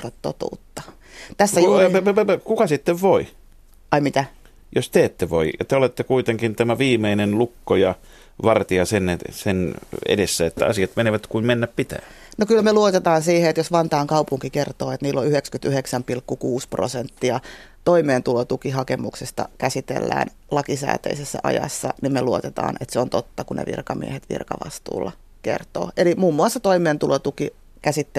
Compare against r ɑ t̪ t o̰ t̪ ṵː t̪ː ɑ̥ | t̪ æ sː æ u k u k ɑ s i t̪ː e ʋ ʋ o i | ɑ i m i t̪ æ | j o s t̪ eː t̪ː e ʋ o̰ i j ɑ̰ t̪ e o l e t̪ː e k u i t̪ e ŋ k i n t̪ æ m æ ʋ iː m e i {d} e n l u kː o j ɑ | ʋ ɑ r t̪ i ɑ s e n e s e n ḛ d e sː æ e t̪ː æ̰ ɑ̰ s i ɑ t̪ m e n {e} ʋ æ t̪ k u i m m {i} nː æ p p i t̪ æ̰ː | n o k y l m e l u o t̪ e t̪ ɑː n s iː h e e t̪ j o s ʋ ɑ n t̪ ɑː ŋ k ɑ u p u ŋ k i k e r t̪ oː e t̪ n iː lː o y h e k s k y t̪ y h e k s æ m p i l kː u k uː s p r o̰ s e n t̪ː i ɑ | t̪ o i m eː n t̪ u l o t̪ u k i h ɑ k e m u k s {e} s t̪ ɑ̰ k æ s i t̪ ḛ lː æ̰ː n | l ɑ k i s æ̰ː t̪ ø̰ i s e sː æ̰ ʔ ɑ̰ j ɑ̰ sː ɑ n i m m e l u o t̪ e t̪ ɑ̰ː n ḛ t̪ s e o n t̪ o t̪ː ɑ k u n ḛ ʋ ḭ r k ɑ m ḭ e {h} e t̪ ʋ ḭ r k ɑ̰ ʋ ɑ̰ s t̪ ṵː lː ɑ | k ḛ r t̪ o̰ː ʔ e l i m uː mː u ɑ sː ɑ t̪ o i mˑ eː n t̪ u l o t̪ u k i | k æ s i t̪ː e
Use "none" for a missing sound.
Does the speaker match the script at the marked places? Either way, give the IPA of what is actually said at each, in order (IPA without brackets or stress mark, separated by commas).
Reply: n, e, e, e, h